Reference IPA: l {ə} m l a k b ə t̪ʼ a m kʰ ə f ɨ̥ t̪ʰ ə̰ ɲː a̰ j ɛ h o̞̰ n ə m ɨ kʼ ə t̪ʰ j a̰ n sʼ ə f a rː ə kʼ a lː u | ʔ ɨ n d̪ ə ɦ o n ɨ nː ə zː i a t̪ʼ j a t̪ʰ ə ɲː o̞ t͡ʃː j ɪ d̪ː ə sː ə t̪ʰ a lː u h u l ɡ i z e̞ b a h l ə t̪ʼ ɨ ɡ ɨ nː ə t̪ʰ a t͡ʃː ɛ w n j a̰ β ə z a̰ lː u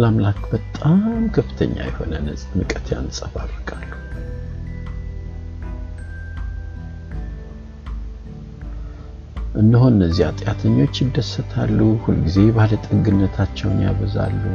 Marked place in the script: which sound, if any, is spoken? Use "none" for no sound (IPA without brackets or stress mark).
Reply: a